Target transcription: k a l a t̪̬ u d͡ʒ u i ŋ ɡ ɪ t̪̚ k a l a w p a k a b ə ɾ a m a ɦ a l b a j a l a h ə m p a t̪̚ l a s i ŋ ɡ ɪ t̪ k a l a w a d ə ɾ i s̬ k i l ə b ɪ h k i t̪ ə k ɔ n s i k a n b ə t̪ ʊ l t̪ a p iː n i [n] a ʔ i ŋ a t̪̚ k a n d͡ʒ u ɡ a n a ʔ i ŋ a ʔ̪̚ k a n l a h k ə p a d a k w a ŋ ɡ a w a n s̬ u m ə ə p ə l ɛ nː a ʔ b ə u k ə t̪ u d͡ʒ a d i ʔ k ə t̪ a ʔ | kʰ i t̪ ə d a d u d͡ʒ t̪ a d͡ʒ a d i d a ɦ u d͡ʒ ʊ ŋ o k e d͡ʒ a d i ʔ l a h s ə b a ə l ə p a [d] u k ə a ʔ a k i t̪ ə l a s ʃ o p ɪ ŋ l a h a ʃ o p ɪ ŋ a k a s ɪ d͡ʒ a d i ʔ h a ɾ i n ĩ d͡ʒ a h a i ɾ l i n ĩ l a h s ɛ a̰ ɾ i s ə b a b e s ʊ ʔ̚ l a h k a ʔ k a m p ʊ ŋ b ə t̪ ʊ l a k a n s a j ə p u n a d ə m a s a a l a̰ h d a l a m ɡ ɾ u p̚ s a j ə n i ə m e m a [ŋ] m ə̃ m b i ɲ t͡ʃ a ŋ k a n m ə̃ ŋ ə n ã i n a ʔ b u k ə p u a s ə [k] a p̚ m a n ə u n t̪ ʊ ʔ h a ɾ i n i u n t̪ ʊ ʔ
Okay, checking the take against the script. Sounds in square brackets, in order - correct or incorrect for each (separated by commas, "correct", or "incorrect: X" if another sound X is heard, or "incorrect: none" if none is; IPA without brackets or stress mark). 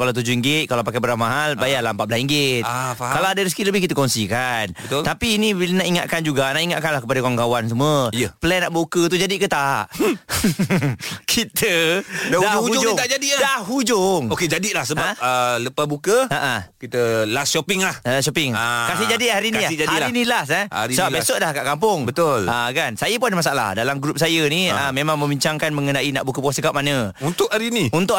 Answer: correct, incorrect: b, correct, correct